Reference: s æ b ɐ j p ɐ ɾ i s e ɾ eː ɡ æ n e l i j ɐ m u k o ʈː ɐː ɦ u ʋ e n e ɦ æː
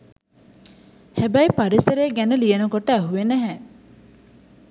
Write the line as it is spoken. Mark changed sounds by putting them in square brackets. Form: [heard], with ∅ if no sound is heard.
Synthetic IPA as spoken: [h] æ b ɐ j p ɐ ɾ i s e ɾ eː ɡ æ n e l i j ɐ [n] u k o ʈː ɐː ɦ u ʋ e n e ɦ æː

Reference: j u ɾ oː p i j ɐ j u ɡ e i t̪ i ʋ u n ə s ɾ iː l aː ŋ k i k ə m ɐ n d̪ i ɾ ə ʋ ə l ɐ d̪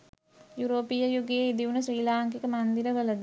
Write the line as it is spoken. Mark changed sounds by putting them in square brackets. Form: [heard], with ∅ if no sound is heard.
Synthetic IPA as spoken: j u ɾ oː p i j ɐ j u ɡ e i [d̪] i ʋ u n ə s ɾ iː l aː ŋ k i k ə m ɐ n d̪ i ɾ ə ʋ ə l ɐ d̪

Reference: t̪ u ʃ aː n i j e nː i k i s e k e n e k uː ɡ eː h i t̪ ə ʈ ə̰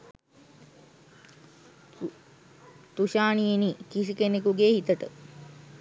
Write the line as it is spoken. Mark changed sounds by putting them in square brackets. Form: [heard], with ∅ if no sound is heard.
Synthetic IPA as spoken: t̪ u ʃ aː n i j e [n] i k i s [i] k e n e k [u] ɡ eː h i t̪ ə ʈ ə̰

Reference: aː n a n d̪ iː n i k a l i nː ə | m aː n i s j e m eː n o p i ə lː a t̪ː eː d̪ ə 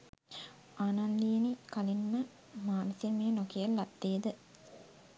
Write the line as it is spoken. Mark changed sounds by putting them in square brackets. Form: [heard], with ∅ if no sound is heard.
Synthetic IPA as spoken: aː n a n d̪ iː n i k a l i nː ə | m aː n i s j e m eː n o [k] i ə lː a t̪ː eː d̪ ə

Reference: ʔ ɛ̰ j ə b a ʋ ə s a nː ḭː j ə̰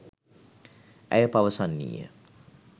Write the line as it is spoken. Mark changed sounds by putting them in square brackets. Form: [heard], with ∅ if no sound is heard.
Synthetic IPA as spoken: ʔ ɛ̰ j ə [p] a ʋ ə s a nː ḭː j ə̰

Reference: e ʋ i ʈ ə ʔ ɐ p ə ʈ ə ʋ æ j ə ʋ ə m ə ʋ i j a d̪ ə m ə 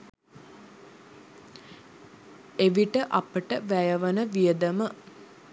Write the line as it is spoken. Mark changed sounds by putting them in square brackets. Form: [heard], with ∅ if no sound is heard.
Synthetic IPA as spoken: e ʋ i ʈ ə ʔ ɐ p ə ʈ ə ʋ æ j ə ʋ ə [n] ə ʋ i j [ə] d̪ ə m ə

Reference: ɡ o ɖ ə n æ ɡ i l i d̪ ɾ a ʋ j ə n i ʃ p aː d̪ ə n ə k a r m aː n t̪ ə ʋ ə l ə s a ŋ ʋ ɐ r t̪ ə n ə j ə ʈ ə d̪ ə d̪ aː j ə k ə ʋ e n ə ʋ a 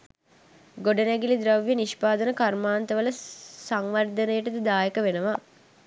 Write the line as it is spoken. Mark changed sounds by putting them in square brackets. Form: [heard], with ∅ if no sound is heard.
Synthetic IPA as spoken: ɡ o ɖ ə n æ ɡ i l i d̪ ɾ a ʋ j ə n i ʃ p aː d̪ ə n ə k a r m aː n t̪ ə ʋ ə l ə s a ŋ ʋ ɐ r [d̪] ə n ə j ə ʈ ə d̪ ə d̪ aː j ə k ə ʋ e n ə ʋ a

